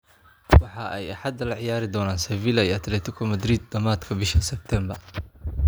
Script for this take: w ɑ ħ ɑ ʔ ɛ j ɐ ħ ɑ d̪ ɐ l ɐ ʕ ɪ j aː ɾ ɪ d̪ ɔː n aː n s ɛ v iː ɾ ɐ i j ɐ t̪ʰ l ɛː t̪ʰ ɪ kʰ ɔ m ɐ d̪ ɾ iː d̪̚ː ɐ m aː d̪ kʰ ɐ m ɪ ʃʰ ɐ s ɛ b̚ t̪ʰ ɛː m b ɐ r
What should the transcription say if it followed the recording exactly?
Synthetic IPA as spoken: w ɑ ħ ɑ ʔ ɛ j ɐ ħ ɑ d̪ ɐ l ɐ ʕ ɪ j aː ɾ ɪ d̪ ɔː n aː n s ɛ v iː l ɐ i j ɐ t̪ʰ l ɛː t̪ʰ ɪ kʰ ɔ m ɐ d̪ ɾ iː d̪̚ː ɐ m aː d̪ kʰ ɐ b ɪ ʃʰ ɐ s ɛ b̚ t̪ʰ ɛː m b ɐ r